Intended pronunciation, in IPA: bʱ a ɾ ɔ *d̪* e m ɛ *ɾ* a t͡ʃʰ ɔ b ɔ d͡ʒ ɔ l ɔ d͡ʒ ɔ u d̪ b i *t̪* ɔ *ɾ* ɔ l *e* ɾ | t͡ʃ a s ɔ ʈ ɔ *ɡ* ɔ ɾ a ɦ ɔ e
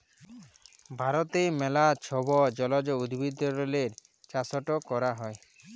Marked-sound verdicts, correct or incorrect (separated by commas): incorrect, incorrect, incorrect, correct, correct, incorrect